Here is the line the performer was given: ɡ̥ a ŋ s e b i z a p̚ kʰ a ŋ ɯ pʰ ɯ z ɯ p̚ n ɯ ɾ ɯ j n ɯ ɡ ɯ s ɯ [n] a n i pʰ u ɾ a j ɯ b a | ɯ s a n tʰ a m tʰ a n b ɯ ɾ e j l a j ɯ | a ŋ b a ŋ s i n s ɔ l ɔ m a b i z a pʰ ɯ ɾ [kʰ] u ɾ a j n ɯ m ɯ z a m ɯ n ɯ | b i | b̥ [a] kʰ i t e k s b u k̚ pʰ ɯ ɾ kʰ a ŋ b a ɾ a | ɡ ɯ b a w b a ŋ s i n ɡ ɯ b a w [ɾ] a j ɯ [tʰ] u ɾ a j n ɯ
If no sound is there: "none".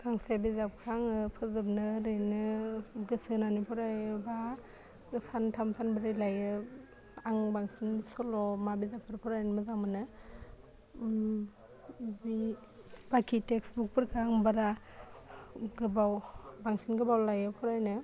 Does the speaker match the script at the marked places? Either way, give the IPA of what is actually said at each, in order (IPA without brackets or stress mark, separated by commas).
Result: n, pʰ, a, l, pʰ